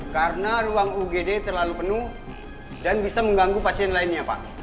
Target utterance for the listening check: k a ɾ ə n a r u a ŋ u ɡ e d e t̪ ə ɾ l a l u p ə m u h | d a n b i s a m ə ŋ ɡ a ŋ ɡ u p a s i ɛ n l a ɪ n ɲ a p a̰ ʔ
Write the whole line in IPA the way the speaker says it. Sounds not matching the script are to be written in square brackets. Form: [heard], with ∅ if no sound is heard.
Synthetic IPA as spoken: k a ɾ ə n a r u a ŋ u ɡ e d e t̪ ə [r] l a l u p ə [n] u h | d a n b i s a m ə ŋ ɡ a ŋ ɡ u p a s i ɛ n l a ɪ n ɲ a p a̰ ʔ

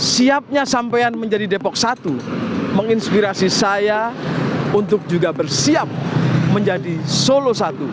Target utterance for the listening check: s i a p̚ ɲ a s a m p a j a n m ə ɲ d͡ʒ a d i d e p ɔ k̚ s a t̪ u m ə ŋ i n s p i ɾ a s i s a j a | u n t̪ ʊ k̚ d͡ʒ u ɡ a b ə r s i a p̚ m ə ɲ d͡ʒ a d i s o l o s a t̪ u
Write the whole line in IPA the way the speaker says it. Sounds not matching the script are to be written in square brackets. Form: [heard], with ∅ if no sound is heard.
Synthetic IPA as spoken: s i a p̚ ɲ a s a m p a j a n m ə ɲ d͡ʒ a d i d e p ɔ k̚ s a t̪ u m ə ŋ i n s p i ɾ a s i s a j a | u n t̪ ʊ k̚ d͡ʒ u ɡ a b ə r s i a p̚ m ə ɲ d͡ʒ a d i s o l o s a t̪ u

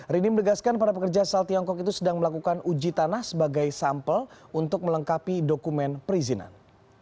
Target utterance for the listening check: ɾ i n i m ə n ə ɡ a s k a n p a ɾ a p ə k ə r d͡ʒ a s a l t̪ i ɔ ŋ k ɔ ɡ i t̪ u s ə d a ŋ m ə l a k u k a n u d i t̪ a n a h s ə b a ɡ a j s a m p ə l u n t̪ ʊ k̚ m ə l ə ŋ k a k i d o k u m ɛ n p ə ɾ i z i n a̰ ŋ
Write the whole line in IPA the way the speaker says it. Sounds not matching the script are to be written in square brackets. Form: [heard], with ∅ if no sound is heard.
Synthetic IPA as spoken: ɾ i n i m ə n ə ɡ a s k a n p a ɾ a p ə k ə r d͡ʒ a s a l t̪ i ɔ ŋ k ɔ [k] i t̪ u s ə d a ŋ m ə l a k u k a n u [d͡ʒ] i t̪ a n a h s ə b a ɡ a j s a m p ə l u n t̪ ʊ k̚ m ə l ə ŋ k a [p] i d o k u m ɛ n p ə ɾ i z i n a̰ [n]

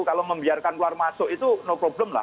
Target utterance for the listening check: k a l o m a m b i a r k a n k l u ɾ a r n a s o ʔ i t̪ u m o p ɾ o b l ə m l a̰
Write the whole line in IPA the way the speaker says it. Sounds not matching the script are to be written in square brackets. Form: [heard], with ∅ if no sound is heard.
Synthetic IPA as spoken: k a l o m [ə] m b i a r k a n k l u [∅] a r [m] a s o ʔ i t̪ u [n] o p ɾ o b l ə m l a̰

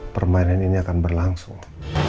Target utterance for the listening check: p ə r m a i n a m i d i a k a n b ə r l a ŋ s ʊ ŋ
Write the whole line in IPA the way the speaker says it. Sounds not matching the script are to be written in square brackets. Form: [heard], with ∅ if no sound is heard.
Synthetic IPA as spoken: p ə r m a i n a [n] i [n] i a k a n b ə r l a ŋ s ʊ ŋ

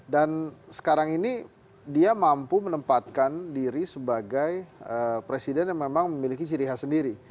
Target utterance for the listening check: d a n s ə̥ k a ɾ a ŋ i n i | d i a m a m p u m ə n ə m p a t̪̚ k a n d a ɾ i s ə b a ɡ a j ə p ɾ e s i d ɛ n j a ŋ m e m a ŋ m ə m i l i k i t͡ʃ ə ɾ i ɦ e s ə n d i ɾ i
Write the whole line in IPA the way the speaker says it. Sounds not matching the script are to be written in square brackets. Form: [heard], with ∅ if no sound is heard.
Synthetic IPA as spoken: d a n s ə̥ k a ɾ a ŋ i n i | d i a m a m p u m ə n ə m p a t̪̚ k a n d [i] ɾ i s ə b a ɡ a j ə p ɾ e s i d ɛ n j a ŋ m e m a ŋ m ə m i l i k i t͡ʃ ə ɾ i ɦ [a] s ə n d i ɾ i

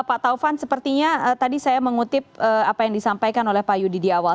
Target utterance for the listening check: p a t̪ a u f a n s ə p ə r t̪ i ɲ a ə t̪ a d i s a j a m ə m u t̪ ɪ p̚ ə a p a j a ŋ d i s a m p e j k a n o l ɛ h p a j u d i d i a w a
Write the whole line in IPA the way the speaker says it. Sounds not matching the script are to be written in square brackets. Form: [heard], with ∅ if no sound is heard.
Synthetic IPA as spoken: p a t̪ a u f a n s ə p ə r t̪ i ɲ a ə t̪ a d i s a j a m ə [ŋ] u t̪ ɪ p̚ ə a p a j a ŋ d i s a m p [a] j k a n o l ɛ h p a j u d i d i a w a

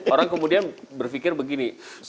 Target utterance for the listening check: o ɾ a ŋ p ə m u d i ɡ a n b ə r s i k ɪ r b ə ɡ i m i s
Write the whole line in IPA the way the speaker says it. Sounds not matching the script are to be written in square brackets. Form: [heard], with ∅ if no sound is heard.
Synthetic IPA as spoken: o ɾ a ŋ [k] ə m u d i [∅] a n b ə r [f] i k ɪ r b ə ɡ i [n] i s

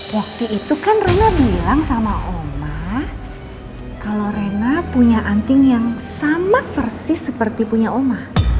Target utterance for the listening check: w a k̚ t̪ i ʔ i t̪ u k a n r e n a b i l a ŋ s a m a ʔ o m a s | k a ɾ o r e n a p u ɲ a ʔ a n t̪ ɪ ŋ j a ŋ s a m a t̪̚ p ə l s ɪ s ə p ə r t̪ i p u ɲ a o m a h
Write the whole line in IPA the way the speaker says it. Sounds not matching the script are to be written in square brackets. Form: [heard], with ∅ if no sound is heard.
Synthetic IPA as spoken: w a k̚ t̪ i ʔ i t̪ u k a n r e n a b i l a ŋ s a m a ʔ o m a [h] | k a [l] o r e n a p u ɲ a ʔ a n t̪ ɪ ŋ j a ŋ s a m a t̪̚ p ə [r] s ɪ s ə p ə r t̪ i p u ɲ a o m a h

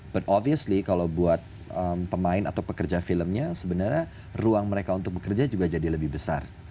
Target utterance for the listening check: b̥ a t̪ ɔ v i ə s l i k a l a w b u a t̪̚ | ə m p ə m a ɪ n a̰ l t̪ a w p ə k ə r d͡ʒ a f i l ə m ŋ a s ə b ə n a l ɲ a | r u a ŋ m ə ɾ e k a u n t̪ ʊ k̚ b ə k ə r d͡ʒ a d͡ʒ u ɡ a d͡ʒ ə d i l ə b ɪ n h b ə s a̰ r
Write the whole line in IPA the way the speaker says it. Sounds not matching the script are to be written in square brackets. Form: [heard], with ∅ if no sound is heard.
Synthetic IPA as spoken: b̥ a t̪ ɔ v i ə s l i k a l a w b u a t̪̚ | ə m p ə m a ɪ n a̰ [∅] t̪ a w p ə k ə r d͡ʒ a f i l ə m [ɲ] a s ə b ə n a [r] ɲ a | r u a ŋ m ə ɾ e k a u n t̪ ʊ k̚ b ə k ə r d͡ʒ a d͡ʒ u ɡ a d͡ʒ [a] d i l ə b ɪ [∅] h b ə s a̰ r

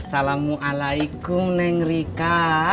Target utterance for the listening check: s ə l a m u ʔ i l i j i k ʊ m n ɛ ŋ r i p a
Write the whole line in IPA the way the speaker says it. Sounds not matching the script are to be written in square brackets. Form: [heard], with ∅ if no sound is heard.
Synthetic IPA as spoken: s [a] l a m u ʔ [a] l [a] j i k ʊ m n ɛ ŋ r i [k] a

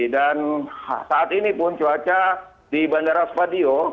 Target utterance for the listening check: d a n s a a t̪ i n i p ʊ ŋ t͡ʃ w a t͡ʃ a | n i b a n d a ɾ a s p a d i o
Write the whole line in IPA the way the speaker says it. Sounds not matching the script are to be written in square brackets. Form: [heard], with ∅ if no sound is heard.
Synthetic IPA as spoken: d a n s a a t̪ i n i p ʊ [n] t͡ʃ [u] a t͡ʃ a | [d] i b a n d a ɾ a s p a d i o

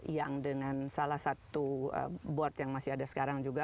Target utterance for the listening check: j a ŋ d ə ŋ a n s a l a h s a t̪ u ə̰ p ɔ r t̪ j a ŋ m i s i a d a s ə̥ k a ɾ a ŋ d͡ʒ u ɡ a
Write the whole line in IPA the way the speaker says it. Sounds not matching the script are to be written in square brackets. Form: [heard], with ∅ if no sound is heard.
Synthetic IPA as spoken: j a ŋ d ə ŋ a n s a l a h s a t̪ u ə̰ [b] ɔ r t̪ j a ŋ m [a] s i a d a s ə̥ k a ɾ a ŋ d͡ʒ u ɡ a

